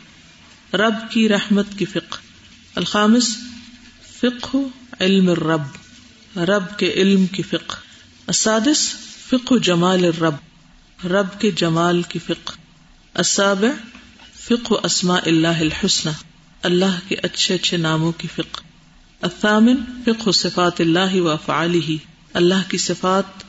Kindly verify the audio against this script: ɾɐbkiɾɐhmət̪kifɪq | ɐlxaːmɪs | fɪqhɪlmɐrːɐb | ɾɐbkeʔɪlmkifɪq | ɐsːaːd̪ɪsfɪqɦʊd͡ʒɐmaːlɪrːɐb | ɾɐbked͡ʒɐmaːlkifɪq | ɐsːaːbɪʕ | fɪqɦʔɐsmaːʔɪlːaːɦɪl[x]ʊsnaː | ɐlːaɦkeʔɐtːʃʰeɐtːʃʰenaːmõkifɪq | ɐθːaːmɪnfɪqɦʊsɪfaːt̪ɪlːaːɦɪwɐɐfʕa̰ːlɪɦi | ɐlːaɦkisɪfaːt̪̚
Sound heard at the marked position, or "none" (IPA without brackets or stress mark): ħ